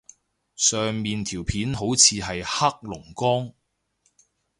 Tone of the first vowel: low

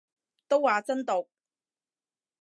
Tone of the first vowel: high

